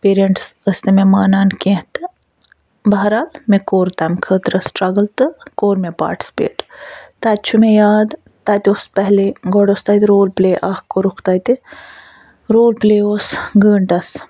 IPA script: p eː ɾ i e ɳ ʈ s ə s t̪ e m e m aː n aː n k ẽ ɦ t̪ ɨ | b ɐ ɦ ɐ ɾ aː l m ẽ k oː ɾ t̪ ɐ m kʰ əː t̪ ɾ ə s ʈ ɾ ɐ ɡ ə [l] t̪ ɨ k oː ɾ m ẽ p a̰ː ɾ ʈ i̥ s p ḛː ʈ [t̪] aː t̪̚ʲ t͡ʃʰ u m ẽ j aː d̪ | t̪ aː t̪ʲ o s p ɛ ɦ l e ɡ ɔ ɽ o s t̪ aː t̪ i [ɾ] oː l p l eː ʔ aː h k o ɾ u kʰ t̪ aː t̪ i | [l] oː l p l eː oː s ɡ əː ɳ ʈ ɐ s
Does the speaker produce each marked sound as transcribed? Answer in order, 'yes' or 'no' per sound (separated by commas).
yes, yes, yes, no